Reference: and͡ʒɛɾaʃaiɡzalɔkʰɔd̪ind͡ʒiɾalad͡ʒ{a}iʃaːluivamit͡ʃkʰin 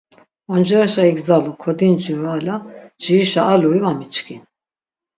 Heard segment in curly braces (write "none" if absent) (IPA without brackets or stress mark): i